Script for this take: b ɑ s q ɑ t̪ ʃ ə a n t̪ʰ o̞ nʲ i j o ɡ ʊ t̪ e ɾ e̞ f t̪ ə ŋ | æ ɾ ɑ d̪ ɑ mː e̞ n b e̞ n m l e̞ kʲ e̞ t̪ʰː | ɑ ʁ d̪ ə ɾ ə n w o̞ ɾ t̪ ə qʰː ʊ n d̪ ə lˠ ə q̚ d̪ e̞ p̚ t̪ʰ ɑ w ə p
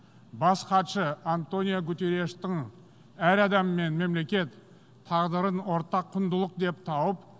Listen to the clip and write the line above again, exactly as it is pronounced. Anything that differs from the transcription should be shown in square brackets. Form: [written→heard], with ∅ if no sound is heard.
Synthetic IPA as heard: b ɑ s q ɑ t̪ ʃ ə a n [t̪ʰ→t̪] o̞ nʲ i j o ɡ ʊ t̪ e ɾ e̞ [f→ʃ] t̪ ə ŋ | æ ɾ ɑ d̪ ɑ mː e̞ n [b→m] e̞ [n→∅] m l e̞ kʲ e̞ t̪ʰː | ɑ ʁ d̪ ə ɾ ə n w o̞ ɾ t̪ [ə→ɑ] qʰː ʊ n d̪ ə lˠ ə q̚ d̪ e̞ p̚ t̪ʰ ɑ w ə p